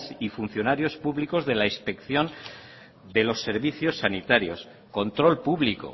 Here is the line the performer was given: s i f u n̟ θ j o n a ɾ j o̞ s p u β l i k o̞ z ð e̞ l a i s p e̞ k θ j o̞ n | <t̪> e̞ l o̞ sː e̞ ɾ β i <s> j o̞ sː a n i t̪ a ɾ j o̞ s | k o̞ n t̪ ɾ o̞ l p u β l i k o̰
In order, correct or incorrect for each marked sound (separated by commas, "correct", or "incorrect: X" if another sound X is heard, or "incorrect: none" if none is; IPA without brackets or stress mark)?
incorrect: d̪, incorrect: θ